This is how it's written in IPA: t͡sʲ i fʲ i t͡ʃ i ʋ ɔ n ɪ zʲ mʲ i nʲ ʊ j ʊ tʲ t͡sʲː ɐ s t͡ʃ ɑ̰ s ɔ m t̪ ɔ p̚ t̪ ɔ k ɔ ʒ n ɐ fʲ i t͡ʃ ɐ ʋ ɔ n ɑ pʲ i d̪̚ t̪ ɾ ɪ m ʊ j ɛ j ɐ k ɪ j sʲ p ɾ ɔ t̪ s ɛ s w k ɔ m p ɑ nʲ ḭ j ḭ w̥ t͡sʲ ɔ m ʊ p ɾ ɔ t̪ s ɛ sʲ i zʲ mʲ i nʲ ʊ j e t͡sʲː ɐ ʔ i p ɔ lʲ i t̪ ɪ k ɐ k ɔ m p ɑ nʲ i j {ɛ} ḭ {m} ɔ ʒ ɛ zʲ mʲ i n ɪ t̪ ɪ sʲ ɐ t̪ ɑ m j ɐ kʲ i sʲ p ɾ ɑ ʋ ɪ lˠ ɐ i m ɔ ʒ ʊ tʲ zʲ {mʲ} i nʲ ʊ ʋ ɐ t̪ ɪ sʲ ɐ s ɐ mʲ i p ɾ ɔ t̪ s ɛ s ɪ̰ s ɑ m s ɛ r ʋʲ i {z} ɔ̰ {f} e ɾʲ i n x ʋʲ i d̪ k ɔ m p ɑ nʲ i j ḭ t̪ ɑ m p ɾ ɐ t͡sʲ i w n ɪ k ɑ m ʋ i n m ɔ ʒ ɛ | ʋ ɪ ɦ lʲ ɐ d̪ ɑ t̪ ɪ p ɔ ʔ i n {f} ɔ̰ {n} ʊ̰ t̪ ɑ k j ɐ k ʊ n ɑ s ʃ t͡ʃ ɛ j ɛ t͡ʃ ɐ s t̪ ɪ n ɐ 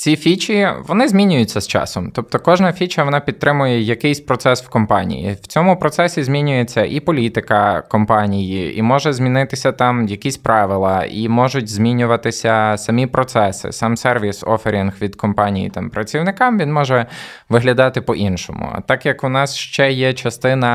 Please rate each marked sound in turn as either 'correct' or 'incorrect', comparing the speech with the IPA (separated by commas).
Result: incorrect, correct, correct, incorrect, correct, incorrect, incorrect